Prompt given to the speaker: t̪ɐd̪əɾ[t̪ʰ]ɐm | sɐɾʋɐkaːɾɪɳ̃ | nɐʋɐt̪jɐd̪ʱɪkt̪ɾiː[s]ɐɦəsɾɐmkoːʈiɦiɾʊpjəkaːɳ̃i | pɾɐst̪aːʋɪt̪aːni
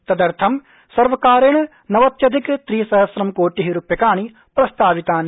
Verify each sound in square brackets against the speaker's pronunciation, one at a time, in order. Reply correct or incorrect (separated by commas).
correct, correct